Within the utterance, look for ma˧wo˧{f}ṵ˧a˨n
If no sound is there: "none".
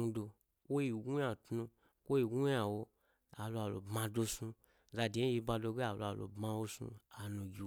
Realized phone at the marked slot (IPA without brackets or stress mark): s